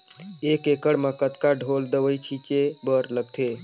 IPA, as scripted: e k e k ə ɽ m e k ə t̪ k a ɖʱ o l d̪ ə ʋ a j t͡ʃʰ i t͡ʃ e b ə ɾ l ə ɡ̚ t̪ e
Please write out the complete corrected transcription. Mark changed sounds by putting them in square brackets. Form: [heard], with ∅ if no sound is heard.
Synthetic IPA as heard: e k e k ə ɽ m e k ə t̪ k a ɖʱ o l d̪ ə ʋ [ə] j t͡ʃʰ i t͡ʃ e b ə ɾ l ə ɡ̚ [t̪ʰ] e